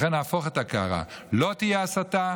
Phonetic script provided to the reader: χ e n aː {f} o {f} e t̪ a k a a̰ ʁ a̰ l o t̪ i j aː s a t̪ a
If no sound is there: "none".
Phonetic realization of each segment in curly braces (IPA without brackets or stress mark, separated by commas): f, χ